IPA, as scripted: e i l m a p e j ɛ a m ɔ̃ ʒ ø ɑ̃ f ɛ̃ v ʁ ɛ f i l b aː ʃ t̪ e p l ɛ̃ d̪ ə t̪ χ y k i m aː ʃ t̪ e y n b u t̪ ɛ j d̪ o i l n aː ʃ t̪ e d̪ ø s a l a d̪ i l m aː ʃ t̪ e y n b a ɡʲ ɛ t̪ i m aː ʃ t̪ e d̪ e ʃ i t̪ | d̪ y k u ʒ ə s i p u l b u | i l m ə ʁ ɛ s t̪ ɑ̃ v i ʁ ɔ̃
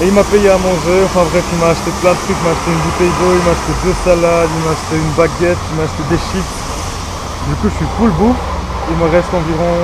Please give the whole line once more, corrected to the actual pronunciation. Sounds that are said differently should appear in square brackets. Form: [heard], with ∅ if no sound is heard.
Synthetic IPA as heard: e i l m a p e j [e] a m ɔ̃ ʒ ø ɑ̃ f ɛ̃ [b] ʁ ɛ f i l [m] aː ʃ t̪ e p l ɛ̃ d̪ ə t̪ χ y k i m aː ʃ t̪ e y n b u t̪ ɛ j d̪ o i l [m] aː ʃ t̪ e d̪ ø s a l a d̪ i l m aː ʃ t̪ e y n b a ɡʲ ɛ t̪ i m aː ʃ t̪ e d̪ e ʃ i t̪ | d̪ y k u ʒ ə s i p u l b u | i l m ə ʁ ɛ s t̪ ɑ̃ v i ʁ ɔ̃